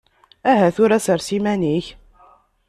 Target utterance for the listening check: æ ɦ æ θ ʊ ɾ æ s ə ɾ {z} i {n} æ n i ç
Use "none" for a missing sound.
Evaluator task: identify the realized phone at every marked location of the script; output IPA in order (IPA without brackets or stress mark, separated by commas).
s, m